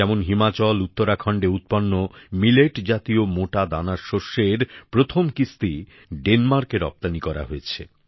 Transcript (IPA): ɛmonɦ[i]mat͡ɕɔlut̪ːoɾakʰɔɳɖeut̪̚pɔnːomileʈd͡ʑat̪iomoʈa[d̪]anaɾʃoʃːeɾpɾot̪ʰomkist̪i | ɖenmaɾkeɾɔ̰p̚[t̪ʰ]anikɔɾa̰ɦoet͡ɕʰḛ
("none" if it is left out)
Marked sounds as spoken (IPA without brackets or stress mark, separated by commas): i, d̪, t̪